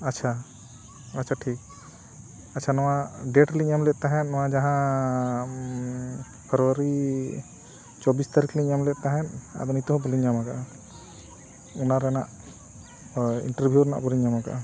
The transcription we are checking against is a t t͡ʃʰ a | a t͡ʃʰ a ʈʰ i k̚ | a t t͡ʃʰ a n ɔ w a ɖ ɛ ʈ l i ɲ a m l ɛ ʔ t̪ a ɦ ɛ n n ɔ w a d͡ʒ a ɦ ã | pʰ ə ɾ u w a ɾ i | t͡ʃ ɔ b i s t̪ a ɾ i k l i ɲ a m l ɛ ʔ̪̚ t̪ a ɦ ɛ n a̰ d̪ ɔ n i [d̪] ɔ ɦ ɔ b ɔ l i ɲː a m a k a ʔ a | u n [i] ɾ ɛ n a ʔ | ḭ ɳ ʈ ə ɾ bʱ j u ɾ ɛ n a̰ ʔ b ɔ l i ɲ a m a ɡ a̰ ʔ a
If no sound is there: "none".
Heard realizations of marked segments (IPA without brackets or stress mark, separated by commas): t̪, a